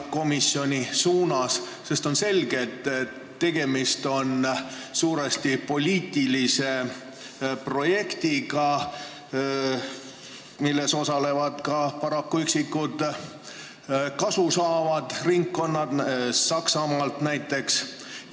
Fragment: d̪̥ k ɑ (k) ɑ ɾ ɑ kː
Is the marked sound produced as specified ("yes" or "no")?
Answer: no